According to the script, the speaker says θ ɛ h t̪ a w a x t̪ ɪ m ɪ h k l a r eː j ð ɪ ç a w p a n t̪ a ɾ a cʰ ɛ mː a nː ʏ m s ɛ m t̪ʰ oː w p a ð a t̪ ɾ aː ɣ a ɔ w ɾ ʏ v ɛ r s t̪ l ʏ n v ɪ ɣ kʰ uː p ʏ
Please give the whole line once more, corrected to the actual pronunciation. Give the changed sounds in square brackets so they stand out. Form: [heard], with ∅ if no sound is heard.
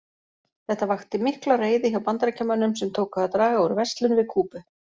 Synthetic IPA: θ ɛ h t̪ a [v] a x t̪ ɪ m ɪ h k l a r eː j ð ɪ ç a w p a n t̪ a ɾ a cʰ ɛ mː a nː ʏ m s ɛ m t̪ʰ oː w [k] a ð a t̪ ɾ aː ɣ a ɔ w ɾ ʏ v ɛ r s t̪ l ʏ n v ɪ [ð] kʰ uː p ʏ